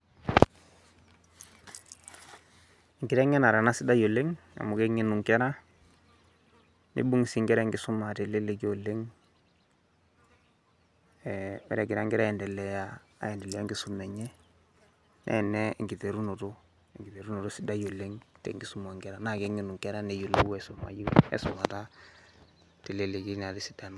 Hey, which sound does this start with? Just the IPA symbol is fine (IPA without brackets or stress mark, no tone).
ŋ